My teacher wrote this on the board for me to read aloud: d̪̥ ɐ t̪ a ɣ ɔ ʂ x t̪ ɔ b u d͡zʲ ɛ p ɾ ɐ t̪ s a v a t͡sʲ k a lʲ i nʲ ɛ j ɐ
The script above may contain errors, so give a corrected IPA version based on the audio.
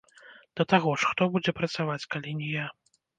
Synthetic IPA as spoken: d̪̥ ɐ t̪ a ɣ ɔ ʂ x t̪ ɔ b u d͡zʲ ɛ p ɾ ɐ t̪ s a v a t͡sʲ k a lʲ i nʲ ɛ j a